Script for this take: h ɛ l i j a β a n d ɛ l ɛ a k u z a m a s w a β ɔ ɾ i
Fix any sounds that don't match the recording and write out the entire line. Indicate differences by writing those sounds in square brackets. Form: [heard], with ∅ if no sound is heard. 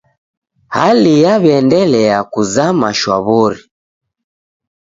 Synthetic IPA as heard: h [a] l i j a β [ɛ] n d ɛ l ɛ a k u z a m a [ʃ] w a β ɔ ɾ i